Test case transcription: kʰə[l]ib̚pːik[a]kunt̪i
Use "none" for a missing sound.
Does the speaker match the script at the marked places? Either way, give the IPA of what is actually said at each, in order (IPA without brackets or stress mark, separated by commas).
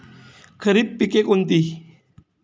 ɾ, e